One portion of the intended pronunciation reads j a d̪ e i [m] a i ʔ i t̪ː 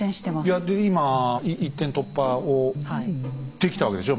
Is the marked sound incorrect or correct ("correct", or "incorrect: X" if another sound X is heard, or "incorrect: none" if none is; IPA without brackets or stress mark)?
correct